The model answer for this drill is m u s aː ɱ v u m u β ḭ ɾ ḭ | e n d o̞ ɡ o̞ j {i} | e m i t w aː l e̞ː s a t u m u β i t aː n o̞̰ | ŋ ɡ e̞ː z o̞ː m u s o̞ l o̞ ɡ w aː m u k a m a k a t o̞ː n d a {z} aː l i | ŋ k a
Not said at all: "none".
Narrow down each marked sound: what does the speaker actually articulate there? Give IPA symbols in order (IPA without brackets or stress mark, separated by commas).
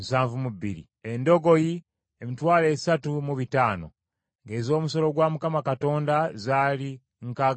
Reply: i, z